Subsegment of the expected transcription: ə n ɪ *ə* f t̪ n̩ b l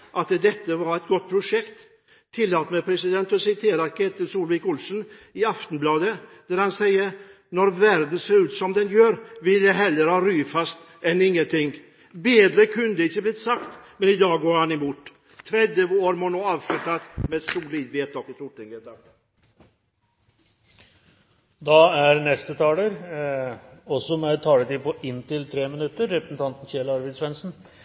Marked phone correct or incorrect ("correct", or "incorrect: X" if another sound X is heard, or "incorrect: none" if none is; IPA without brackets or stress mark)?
incorrect: ɑ